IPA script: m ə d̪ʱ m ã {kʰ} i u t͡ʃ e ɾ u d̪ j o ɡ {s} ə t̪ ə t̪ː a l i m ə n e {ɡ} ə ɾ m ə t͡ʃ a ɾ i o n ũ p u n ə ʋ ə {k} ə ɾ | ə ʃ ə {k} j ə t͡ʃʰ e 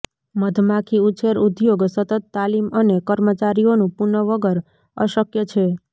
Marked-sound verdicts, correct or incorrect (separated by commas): correct, correct, incorrect, incorrect, correct